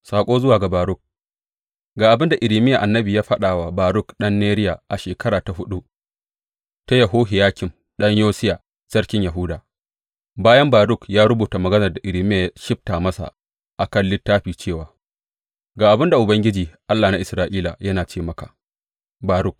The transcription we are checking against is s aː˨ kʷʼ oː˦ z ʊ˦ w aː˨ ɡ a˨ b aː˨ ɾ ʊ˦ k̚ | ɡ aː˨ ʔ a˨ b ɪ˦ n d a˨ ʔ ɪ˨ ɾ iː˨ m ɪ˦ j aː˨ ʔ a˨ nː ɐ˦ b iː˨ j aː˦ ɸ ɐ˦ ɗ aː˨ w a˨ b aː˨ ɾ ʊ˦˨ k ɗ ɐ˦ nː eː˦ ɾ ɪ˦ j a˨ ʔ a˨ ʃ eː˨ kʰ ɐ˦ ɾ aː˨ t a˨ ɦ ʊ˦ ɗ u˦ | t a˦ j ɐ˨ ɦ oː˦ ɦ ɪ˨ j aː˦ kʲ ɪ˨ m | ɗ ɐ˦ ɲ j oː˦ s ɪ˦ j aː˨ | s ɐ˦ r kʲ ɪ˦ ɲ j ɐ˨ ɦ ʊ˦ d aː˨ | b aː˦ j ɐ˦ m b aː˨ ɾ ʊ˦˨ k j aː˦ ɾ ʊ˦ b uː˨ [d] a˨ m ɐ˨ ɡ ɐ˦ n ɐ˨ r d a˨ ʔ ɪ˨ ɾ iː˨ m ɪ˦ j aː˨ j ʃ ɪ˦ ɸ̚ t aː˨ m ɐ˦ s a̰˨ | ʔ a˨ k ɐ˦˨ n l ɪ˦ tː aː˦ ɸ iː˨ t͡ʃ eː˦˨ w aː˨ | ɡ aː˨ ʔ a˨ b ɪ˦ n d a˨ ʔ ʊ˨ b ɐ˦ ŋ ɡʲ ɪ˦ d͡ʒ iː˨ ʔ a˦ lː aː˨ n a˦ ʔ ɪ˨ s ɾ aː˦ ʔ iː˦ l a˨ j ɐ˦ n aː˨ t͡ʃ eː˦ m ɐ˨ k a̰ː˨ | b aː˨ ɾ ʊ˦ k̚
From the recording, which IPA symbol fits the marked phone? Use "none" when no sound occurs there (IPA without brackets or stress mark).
t